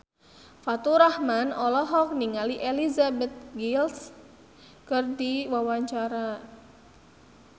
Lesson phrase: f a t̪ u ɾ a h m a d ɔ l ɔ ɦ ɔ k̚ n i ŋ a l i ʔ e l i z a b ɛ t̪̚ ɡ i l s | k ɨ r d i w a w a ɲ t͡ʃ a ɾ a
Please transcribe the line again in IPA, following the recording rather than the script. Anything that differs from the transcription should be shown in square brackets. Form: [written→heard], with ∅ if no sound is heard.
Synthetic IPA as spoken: f a t̪ u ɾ a h m a [d→n] ɔ l ɔ ɦ ɔ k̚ n i ŋ a l i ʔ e l i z a b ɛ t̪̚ ɡ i l s | k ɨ r d i w a w a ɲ t͡ʃ a ɾ a